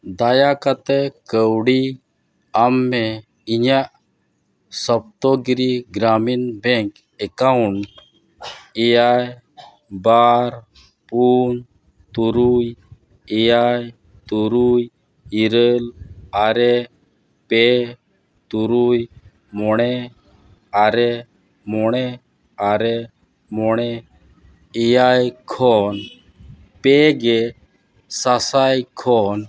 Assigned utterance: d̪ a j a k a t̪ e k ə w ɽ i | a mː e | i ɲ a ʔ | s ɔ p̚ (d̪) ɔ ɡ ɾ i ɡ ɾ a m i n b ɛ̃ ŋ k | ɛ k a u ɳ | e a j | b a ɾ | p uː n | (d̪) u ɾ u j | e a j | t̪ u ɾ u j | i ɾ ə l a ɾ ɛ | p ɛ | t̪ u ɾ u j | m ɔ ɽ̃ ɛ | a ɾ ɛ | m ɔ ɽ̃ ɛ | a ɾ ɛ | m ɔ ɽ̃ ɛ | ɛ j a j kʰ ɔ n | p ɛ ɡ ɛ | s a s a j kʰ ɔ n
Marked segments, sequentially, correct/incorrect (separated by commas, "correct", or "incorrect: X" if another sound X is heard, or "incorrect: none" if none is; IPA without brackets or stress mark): incorrect: t̪, incorrect: t̪